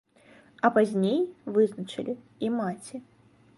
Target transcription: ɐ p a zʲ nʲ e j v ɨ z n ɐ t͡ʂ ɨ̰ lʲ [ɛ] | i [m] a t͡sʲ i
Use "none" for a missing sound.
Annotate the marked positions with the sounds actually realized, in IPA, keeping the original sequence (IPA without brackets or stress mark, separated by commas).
i, m